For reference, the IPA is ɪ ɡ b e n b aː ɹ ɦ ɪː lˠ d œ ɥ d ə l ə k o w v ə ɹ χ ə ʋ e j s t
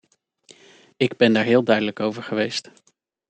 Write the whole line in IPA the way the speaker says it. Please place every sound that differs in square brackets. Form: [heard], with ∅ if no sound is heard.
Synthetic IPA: ɪ ɡ b [ɛ] n [d] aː ɹ ɦ ɪː lˠ d œ ɥ d ə l ə k o w v ə ɹ χ ə ʋ e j s t

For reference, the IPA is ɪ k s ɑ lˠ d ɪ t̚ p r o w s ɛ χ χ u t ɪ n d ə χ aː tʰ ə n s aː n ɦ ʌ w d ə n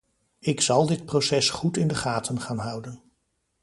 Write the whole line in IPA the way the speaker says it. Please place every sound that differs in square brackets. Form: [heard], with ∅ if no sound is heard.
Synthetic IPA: ɪ k s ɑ lˠ d ɪ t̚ p r o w s ɛ [s] χ u t ɪ n d ə χ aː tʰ ə n [χ] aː n ɦ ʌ w d ə n

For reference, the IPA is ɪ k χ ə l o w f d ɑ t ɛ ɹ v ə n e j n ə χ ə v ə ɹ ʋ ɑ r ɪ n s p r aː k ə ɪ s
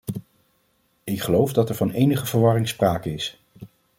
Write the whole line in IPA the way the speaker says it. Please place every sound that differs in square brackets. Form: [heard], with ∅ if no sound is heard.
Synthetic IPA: ɪ k χ ə l o w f d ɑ t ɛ ɹ v [ɑ] n e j n ə χ ə v ə ɹ ʋ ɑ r ɪ [ŋ] s p r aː k ə ɪ s

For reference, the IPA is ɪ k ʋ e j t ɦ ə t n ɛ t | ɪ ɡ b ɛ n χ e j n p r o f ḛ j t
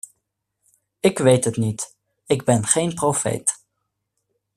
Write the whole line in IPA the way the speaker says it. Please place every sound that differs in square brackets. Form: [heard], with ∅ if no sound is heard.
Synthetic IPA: ɪ k ʋ e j t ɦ ə t n [i] t | ɪ ɡ b ɛ n χ e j n p r o f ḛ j t

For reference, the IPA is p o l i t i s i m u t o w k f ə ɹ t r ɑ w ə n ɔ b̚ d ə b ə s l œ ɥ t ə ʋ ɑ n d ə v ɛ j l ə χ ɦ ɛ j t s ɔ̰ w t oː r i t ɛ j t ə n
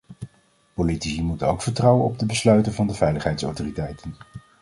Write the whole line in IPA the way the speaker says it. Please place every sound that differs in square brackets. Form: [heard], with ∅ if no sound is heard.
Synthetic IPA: p o l i t i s i m u t o w k f ə ɹ t r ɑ w ə n ɔ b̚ d ə b ə s l œ ɥ t ə [v] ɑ n d ə v ɛ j l ə χ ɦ ɛ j t s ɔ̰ w t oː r i t ɛ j t ə n

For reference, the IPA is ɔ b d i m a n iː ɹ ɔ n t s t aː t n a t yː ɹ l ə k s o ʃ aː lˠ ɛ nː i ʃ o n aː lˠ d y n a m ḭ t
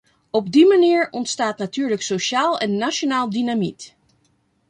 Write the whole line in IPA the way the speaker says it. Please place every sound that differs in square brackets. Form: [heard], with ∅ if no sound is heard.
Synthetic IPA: ɔ b d i m a n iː ɹ ɔ n t s t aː t n a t yː ɹ l ə k s o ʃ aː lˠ ɛ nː [a] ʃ o n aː lˠ d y n a m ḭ t

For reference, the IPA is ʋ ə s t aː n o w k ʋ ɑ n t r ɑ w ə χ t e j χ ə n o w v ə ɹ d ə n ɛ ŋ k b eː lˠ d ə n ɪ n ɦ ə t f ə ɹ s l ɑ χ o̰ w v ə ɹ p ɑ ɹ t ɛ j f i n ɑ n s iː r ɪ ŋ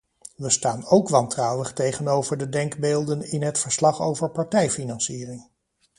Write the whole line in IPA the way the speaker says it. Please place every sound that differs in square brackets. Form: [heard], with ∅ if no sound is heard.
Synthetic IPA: ʋ ə s t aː n o w k ʋ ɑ n t r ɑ w ə χ t e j χ ə n o w v ə ɹ d ə [d] ɛ ŋ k b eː lˠ d ə n ɪ n ɦ ə t f ə ɹ s l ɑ χ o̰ w v ə ɹ p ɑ ɹ t ɛ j f i n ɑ n s iː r ɪ ŋ

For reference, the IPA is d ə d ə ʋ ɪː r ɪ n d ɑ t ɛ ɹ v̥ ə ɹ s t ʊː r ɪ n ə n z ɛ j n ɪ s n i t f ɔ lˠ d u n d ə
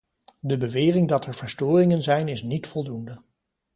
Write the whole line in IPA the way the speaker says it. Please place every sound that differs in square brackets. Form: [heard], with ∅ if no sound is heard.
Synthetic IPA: d ə [b] ə ʋ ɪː r ɪ [ŋ] d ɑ t ɛ ɹ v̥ ə ɹ s t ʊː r ɪ [ŋ] ə n z ɛ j n ɪ s n i t f ɔ lˠ d u n d ə

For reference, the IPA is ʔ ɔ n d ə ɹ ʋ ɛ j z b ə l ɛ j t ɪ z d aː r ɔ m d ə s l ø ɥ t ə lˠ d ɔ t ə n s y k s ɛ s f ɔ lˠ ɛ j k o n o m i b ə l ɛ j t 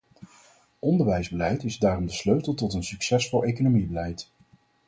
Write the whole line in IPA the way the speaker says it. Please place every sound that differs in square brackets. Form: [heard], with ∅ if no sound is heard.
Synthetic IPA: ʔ ɔ n d ə ɹ ʋ ɛ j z b ə l ɛ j t ɪ z d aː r ɔ m d ə s l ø ɥ t ə lˠ [t] ɔ t ə n s y k s ɛ s f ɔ lˠ [e] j k o n o m i b ə l ɛ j t

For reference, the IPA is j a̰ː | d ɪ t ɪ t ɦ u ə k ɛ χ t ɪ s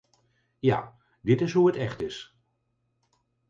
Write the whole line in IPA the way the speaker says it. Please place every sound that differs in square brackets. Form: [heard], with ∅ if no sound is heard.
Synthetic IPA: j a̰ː | d ɪ t ɪ [s] ɦ u ə [t] ɛ χ t ɪ s

